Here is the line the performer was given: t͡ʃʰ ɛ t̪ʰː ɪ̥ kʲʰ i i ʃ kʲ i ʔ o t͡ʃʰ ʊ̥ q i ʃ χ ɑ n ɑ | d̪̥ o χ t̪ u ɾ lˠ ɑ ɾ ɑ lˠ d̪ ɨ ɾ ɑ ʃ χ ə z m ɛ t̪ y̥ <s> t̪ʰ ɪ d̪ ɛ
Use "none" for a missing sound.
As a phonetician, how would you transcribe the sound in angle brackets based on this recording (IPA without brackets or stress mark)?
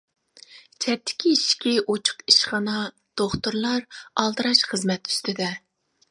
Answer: s